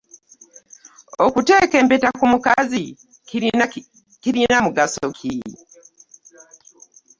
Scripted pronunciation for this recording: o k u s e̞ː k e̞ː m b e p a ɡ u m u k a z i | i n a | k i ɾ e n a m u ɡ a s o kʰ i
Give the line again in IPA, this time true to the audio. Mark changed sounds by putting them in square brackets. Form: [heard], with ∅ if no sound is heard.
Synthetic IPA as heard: o k u [t] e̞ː k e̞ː m [p] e [t] a [k] u m u k a z i | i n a | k i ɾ [i] n a m u ɡ a s o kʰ i